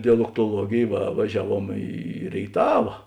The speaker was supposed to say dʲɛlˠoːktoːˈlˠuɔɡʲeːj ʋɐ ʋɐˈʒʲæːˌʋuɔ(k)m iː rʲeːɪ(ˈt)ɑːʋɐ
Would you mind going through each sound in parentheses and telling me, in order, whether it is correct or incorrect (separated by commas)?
incorrect, correct